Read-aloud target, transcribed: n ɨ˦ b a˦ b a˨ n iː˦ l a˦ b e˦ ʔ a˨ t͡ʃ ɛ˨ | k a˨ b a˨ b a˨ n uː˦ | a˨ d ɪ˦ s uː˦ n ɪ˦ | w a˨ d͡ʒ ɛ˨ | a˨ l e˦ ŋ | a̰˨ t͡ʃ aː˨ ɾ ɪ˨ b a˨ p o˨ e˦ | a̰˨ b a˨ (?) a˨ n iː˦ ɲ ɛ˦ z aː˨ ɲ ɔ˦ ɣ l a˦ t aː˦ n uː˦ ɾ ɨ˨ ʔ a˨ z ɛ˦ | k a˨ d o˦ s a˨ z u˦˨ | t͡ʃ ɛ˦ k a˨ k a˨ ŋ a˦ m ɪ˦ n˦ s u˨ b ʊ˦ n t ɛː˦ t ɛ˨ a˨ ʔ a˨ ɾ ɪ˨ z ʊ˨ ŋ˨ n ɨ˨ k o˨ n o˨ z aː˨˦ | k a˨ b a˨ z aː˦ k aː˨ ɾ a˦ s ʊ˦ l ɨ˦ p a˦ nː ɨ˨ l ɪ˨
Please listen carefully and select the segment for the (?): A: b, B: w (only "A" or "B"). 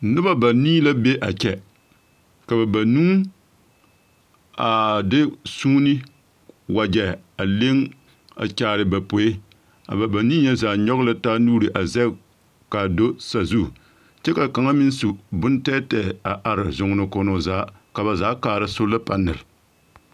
A